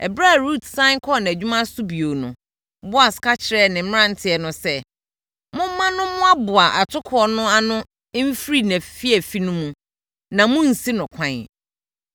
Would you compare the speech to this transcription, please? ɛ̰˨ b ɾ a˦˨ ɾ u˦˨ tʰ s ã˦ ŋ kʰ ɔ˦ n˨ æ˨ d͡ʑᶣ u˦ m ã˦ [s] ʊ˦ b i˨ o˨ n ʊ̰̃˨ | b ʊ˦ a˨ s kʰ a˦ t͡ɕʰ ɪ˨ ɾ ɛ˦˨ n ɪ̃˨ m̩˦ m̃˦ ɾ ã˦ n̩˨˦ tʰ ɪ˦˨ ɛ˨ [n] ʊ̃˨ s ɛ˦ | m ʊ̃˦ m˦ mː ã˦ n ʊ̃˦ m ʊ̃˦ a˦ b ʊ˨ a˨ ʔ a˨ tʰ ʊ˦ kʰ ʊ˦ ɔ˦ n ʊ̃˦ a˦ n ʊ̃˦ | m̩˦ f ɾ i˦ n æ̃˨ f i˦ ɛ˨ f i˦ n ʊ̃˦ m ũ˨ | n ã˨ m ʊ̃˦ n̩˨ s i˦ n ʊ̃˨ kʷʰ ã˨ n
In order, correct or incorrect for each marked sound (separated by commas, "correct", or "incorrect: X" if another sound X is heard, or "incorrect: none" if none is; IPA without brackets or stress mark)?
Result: correct, correct